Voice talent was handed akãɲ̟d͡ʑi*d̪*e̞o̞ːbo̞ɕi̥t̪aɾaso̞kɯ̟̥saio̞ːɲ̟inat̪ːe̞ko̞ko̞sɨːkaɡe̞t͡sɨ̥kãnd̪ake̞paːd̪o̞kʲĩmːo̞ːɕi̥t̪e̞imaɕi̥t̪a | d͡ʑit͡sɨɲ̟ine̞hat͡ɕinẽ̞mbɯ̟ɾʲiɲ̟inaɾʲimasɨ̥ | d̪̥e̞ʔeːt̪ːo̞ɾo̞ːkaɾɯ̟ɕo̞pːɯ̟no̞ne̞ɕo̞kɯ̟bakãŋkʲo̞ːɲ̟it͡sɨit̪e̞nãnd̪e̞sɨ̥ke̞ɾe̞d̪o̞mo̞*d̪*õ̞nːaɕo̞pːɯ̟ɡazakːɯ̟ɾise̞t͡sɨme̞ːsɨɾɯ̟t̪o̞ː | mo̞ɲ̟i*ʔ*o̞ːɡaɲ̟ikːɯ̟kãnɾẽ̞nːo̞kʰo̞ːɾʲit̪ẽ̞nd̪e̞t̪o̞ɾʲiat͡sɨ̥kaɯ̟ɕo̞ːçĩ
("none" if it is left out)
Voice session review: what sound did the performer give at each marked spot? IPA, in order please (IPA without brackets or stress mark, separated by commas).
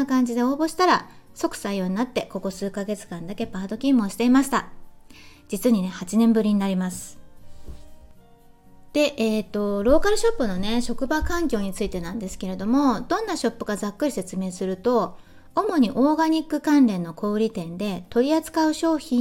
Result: d̪, d̪, ʔ